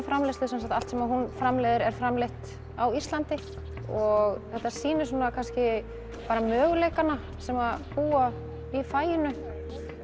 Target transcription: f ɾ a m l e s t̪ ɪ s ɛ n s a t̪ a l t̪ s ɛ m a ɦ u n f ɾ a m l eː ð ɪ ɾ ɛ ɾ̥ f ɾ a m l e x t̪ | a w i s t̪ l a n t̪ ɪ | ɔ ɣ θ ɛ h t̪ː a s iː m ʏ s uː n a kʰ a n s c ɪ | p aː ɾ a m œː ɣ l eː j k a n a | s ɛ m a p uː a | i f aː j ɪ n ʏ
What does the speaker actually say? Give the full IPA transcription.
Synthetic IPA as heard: f ɾ a m l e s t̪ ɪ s ɛ n s a t̪ a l t̪ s ɛ m a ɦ u n f ɾ a m l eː ð ɪ ɾ ɛ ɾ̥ f ɾ a m l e h t̪ | a w i s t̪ l a n t̪ ɪ | ɔ ɣ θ ɛ h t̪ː a s iː n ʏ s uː n a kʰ a n s c ɪ | p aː ɾ a m œː ɣ l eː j k a n a | s ɛ m a p uː a | i f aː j ɪ n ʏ